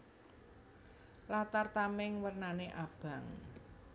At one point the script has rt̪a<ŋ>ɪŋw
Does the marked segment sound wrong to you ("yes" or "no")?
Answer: yes